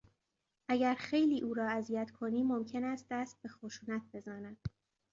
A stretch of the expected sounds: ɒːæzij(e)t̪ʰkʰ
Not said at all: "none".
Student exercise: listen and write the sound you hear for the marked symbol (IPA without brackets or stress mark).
æ